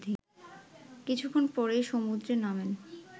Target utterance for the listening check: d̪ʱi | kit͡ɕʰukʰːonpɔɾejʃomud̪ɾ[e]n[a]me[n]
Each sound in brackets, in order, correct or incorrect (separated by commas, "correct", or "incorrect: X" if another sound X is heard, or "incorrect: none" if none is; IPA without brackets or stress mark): correct, correct, correct